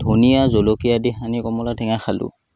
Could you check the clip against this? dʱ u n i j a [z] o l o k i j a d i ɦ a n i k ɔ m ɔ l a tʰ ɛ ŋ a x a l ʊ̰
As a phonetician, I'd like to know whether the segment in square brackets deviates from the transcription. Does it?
no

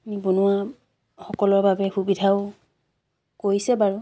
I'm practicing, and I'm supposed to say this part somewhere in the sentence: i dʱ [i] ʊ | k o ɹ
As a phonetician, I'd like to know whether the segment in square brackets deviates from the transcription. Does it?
yes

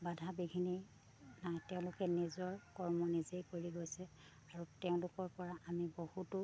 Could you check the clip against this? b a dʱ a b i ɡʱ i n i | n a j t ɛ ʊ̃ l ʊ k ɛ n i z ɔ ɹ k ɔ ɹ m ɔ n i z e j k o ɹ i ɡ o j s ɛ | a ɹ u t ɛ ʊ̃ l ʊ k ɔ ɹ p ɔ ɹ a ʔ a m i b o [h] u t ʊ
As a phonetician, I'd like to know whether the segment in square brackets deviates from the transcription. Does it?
no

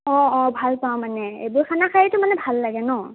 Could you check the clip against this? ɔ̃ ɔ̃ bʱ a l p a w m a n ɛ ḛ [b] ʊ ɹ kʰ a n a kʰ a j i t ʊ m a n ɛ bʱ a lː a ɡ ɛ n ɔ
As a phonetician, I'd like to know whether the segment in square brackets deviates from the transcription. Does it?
no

